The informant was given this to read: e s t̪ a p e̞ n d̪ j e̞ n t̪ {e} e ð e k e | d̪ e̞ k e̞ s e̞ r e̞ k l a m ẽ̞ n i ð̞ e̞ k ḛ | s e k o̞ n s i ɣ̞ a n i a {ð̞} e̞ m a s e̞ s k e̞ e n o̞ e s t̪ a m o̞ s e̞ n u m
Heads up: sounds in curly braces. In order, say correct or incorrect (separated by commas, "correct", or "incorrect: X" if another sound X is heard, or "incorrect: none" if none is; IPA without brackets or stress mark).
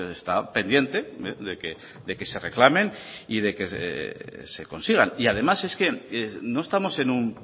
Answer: correct, correct